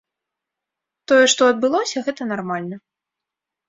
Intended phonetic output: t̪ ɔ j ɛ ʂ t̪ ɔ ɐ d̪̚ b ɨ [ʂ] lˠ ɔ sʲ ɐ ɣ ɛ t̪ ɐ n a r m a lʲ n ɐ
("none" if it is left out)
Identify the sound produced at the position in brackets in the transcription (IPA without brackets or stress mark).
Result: none